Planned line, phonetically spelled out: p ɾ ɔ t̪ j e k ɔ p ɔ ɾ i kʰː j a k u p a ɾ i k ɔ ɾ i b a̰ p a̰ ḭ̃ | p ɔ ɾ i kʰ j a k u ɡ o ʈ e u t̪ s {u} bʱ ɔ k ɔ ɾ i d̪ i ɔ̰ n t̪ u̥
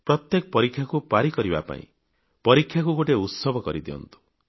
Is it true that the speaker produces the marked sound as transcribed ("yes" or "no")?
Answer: no